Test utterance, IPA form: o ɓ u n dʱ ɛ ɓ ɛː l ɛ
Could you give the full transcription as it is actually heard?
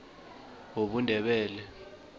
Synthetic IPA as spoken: o ɓ u n dʱ ɛ ɓ ɛː l ɛ